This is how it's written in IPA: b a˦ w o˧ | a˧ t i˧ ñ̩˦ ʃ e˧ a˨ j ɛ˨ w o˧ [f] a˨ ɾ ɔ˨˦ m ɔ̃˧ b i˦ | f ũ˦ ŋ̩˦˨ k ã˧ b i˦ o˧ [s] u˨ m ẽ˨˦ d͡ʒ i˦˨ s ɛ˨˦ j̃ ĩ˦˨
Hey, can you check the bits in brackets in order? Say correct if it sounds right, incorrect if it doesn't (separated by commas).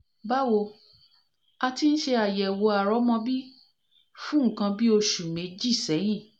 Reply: incorrect, incorrect